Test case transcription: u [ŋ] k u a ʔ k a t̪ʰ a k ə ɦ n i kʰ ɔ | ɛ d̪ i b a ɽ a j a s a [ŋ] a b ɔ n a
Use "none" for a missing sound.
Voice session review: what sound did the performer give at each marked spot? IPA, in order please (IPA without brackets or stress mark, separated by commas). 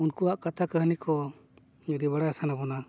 n, n